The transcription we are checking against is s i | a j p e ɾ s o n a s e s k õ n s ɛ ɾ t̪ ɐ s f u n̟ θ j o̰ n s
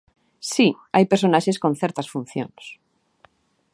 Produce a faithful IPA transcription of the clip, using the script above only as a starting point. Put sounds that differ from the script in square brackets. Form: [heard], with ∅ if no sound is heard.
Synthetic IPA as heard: s i | a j p e ɾ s o n a [ʃ] e s k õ n [θ] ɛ ɾ t̪ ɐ s f u n̟ θ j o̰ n s